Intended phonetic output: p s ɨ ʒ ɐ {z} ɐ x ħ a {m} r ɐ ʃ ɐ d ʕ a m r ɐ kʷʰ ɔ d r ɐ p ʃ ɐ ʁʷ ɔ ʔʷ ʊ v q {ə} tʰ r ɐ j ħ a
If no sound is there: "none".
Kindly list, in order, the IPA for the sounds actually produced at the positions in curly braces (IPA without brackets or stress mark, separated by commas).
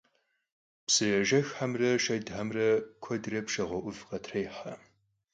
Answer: ʒ, m, ɐ